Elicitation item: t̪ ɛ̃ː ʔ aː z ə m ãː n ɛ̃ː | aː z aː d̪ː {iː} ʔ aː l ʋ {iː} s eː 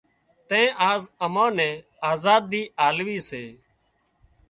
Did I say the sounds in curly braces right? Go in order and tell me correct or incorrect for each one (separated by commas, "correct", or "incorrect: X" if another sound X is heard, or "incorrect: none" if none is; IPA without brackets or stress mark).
correct, correct